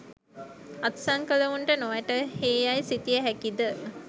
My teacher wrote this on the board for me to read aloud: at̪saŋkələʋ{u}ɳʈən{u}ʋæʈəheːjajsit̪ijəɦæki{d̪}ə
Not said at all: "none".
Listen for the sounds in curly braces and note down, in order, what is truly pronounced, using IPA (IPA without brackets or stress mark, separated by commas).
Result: u, o, d̪